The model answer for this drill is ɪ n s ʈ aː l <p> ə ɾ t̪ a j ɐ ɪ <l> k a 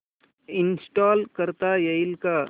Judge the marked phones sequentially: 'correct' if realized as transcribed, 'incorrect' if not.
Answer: incorrect, correct

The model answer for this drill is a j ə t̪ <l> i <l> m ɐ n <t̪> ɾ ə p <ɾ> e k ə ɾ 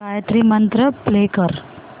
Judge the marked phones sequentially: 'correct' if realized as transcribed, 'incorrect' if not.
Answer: incorrect, incorrect, correct, incorrect

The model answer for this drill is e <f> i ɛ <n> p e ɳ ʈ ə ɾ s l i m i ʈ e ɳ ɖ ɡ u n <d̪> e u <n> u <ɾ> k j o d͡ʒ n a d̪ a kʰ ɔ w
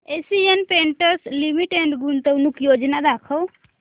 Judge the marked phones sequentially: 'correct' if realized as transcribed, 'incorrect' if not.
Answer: incorrect, correct, incorrect, correct, incorrect

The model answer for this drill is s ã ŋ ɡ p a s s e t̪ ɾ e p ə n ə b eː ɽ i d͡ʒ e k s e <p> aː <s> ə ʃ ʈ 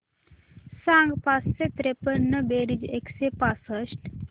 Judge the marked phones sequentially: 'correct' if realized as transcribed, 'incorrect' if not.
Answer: correct, correct

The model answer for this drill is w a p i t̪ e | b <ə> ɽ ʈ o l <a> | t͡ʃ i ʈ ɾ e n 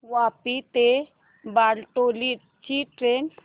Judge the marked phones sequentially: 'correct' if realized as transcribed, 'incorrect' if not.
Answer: incorrect, incorrect

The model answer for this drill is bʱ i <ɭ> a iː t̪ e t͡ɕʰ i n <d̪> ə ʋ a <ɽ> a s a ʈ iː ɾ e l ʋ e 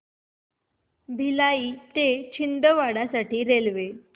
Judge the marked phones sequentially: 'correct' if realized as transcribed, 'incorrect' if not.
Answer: incorrect, correct, correct

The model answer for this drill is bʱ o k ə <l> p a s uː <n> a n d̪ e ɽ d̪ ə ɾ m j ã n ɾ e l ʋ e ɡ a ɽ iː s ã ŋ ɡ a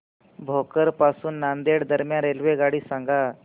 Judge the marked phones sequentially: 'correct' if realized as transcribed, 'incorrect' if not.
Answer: incorrect, incorrect

